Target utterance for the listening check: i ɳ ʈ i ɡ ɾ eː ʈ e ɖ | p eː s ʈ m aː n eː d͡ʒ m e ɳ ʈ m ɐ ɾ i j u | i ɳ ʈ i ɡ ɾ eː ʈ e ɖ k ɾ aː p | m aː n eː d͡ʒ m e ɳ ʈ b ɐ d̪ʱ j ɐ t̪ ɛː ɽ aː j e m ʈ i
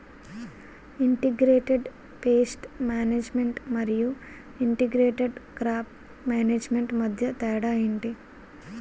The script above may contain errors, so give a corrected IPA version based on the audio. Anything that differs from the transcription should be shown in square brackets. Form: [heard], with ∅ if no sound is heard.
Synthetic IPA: i ɳ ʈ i ɡ ɾ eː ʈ e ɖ | p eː s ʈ m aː n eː d͡ʒ m e ɳ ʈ m ɐ ɾ i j u | i ɳ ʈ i ɡ ɾ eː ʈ e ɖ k ɾ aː p | m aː n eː d͡ʒ m e ɳ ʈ [m] ɐ d̪ʱ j ɐ t̪ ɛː ɽ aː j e [ɳ] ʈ i